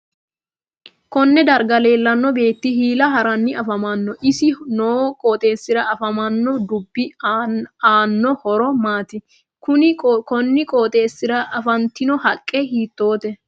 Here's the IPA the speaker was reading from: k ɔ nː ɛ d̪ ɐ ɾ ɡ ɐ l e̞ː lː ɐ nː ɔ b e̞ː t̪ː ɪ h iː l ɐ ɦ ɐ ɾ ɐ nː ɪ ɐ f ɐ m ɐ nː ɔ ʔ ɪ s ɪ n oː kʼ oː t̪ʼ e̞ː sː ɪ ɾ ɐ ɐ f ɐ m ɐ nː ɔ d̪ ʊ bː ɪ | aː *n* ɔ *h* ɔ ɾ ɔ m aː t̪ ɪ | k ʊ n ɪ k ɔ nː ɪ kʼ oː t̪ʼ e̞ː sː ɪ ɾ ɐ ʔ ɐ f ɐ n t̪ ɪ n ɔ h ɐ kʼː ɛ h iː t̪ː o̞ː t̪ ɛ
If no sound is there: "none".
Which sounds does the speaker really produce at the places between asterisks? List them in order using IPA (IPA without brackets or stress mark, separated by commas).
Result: nː, h